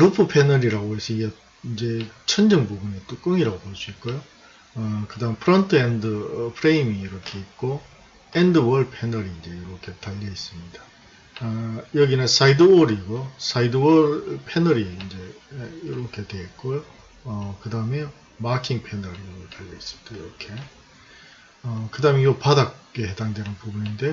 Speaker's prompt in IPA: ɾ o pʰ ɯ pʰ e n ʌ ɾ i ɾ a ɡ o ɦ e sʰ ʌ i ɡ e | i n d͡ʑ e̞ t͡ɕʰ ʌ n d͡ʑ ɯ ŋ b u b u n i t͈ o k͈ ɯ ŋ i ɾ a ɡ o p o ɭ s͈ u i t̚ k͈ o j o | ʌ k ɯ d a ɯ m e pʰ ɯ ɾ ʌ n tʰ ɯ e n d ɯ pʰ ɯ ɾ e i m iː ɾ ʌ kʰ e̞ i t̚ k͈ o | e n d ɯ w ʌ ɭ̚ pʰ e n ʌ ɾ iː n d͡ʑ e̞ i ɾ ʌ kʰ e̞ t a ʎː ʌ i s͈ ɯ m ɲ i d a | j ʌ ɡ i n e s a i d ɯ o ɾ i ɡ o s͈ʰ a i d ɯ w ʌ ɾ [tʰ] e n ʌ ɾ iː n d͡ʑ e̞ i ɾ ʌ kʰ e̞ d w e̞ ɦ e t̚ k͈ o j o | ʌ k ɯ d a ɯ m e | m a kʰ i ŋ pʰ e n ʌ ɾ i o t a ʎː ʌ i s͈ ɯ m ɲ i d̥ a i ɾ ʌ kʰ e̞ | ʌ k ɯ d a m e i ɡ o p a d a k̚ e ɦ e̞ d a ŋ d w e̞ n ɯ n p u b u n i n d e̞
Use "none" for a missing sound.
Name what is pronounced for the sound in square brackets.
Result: pʰ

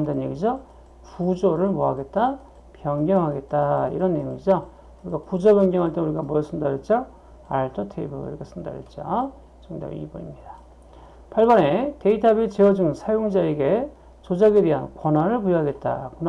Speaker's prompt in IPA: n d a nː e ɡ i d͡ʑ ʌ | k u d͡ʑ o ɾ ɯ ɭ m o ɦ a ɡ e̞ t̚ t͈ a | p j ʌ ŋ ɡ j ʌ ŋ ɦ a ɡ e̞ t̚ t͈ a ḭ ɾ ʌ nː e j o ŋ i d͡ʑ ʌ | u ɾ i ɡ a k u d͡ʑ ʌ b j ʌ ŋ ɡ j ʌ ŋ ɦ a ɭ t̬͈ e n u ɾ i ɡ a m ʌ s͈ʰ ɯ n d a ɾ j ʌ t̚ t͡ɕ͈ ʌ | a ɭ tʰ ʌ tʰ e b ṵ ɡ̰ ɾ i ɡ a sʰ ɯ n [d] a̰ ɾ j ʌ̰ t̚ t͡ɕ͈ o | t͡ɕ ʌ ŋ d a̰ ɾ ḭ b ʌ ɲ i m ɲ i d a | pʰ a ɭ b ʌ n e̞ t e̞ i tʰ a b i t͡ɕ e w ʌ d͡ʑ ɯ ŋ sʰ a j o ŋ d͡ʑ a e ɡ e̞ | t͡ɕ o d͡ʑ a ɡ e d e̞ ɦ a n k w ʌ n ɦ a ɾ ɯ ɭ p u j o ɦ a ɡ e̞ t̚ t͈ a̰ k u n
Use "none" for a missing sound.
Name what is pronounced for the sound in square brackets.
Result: d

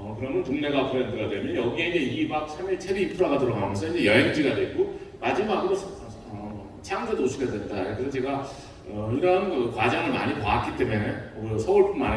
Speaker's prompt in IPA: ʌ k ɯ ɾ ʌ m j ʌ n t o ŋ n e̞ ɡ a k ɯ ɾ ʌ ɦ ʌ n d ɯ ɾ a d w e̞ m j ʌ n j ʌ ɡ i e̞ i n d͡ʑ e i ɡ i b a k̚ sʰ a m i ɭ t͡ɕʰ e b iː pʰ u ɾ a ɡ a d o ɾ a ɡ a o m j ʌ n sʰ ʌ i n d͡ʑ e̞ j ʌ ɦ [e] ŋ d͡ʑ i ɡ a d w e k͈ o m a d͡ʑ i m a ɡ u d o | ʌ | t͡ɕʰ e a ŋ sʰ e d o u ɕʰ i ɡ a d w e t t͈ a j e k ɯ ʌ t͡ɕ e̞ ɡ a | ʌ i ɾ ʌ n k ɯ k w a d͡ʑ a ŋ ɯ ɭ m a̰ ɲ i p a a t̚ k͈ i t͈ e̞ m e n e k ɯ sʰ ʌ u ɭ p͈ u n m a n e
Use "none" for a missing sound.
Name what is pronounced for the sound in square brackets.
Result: e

